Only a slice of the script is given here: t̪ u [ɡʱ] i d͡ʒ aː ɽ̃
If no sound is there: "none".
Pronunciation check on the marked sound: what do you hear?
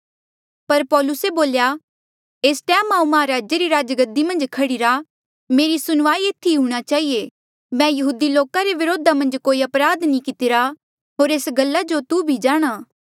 bʱ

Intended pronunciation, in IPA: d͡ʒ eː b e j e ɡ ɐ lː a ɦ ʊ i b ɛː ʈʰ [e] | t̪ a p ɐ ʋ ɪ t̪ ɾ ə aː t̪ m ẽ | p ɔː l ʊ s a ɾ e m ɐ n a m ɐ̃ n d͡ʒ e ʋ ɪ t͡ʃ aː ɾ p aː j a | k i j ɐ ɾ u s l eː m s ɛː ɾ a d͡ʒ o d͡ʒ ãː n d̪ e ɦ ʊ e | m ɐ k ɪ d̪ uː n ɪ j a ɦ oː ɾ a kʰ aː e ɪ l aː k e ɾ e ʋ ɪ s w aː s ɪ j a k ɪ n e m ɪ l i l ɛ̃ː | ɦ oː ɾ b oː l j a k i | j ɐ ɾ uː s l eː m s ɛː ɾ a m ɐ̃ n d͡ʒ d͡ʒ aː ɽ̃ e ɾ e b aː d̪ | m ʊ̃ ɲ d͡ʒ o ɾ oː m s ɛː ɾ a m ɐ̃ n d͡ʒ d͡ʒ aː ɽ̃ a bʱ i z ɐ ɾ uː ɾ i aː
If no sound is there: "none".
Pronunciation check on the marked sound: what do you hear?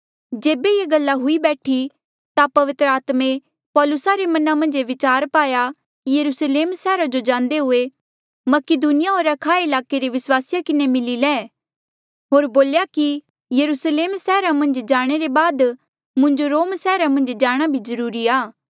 i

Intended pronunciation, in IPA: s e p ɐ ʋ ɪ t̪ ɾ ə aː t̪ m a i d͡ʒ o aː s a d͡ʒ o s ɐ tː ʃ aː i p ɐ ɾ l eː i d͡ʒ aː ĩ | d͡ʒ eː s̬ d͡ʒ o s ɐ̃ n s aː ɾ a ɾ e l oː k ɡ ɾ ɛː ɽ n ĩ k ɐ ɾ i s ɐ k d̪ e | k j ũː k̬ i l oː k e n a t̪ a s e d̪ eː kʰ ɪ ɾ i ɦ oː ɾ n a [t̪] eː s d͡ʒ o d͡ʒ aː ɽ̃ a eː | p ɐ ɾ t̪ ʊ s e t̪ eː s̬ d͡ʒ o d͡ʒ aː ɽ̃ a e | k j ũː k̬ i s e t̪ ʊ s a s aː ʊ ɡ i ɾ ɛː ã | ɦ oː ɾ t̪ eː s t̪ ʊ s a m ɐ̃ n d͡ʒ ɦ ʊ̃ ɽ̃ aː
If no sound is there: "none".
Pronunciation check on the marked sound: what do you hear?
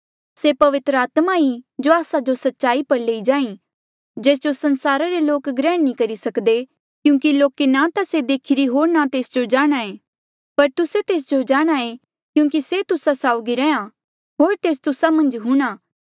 t̪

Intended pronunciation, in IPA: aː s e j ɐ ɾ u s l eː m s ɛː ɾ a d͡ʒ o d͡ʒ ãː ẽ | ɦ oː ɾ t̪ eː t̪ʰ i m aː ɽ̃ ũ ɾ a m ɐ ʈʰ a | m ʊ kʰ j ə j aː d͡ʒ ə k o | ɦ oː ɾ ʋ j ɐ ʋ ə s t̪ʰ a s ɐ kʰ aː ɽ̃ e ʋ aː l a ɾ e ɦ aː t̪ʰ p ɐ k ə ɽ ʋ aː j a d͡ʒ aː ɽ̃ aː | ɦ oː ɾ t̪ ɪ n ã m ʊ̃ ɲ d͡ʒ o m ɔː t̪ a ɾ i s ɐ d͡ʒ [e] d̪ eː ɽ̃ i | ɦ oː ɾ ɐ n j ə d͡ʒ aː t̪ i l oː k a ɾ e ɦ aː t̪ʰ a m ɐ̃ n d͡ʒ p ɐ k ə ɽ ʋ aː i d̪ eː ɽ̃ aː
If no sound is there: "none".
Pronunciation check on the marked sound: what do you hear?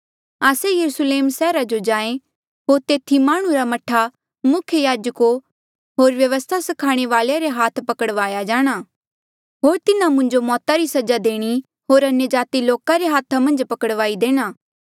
a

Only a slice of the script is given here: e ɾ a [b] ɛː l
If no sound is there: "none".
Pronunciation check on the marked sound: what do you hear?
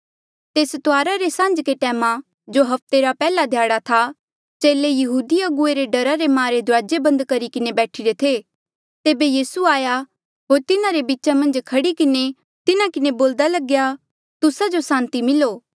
p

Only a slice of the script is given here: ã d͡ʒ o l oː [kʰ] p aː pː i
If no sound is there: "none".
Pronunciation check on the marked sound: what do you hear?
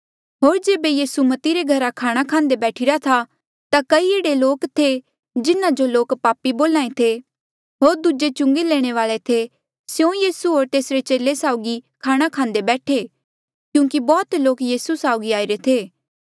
k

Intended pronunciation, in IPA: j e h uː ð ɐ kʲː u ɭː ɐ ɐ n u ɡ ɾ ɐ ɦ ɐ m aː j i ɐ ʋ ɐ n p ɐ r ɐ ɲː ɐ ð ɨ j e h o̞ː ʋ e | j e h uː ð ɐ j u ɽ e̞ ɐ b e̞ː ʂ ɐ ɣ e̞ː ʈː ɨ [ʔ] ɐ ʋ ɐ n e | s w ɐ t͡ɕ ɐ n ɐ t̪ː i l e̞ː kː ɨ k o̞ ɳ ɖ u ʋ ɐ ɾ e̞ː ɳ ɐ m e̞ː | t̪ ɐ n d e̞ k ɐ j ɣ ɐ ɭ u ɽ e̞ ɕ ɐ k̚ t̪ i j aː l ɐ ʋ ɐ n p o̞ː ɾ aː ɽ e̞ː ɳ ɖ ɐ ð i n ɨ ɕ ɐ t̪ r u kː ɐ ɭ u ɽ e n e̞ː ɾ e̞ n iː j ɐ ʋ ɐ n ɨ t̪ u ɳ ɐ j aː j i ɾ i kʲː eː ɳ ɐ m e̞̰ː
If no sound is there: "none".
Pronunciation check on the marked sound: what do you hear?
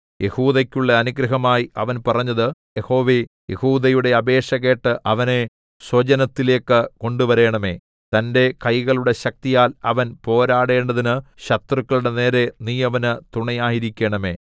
ʔ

